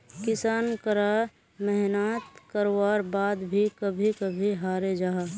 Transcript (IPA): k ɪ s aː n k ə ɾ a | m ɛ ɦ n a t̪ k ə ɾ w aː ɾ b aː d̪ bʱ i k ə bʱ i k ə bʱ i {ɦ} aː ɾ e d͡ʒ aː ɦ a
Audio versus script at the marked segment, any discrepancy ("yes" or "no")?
no